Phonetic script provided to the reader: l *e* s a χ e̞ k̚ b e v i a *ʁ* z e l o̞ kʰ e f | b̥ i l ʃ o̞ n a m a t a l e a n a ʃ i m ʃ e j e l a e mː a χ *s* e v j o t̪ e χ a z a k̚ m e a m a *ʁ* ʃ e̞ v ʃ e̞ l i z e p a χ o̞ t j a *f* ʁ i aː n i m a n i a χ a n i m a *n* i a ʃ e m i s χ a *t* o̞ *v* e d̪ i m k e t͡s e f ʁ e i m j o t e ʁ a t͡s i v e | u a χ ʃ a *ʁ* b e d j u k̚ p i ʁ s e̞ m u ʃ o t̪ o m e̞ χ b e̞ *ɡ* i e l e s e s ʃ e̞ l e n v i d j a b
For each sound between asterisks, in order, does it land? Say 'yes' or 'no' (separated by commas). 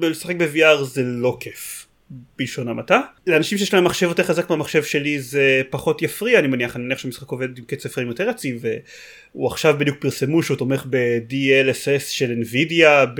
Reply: yes, yes, no, no, yes, yes, no, yes, no, no